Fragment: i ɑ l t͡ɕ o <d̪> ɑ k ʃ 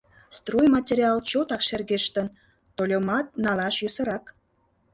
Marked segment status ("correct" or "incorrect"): incorrect